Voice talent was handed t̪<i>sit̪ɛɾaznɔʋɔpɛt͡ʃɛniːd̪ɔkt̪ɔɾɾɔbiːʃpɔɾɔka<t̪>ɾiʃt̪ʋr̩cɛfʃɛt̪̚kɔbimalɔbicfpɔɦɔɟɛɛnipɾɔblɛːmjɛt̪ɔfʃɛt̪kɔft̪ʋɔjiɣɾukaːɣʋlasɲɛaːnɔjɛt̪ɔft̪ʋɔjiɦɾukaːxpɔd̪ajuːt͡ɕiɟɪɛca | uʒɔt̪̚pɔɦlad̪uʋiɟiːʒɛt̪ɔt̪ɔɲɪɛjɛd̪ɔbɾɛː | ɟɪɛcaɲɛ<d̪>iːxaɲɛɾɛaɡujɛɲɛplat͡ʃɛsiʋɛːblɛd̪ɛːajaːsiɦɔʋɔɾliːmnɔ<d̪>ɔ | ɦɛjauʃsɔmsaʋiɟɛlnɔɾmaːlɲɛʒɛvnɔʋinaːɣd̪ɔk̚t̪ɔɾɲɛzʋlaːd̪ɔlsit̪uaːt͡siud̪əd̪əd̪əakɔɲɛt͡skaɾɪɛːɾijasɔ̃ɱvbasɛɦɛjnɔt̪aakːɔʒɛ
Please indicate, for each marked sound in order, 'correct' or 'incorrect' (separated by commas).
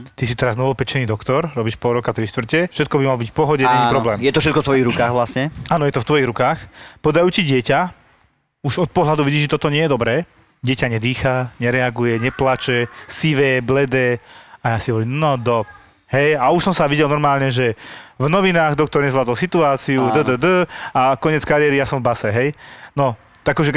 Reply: correct, correct, correct, correct